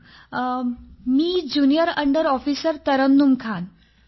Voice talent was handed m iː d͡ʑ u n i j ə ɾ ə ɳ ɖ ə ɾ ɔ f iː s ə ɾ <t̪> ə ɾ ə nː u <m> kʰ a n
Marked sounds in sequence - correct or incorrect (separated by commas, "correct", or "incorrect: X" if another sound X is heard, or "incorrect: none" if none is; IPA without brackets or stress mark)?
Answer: correct, correct